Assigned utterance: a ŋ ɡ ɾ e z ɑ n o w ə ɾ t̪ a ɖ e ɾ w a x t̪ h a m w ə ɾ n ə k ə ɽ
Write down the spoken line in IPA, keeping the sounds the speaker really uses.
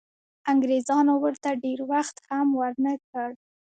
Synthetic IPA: a ŋ ɡ ɾ e z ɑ n o w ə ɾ t̪ a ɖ e ɾ w a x t̪ h a m w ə ɾ n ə k ə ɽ